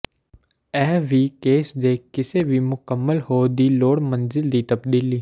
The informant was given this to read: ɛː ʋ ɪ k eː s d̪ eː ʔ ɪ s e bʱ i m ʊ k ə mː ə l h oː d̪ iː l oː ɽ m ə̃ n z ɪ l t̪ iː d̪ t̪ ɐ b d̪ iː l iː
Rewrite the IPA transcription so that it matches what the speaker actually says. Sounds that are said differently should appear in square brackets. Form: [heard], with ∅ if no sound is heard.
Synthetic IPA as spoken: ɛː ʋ [i] k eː s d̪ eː [k] ɪ s e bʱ i m ʊ k ə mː ə l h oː d̪ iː l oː ɽ m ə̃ n z ɪ l [d̪] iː [∅] t̪ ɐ b d̪ iː l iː